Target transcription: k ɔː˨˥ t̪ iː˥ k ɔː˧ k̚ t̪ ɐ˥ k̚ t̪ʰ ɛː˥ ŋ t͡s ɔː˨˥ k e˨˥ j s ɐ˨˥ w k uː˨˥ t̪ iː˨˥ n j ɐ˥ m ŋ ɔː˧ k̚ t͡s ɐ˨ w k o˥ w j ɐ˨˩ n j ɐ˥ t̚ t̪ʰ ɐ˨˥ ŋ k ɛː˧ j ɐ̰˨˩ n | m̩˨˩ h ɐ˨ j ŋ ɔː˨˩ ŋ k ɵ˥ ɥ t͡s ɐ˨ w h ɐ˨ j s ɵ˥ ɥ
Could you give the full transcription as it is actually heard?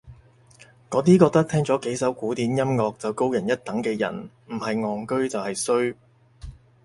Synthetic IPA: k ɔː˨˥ t̪ iː˥ k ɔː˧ k̚ t̪ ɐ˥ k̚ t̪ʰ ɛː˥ ŋ t͡s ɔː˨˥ k e˨˥ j s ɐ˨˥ w k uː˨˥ t̪ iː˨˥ n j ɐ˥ m ŋ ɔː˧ k̚ t͡s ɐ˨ w k o˥ w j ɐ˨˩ n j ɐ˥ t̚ t̪ ɐ˨˥ ŋ k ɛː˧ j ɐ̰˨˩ n | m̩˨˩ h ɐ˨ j ŋ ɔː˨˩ ŋ k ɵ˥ ɥ t͡s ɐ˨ w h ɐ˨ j s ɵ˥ ɥ